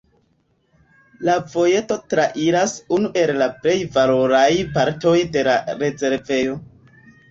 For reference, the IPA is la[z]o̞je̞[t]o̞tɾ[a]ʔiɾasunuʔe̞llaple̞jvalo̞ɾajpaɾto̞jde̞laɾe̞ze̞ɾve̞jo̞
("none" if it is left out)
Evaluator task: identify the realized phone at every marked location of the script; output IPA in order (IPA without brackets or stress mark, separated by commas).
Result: v, t, a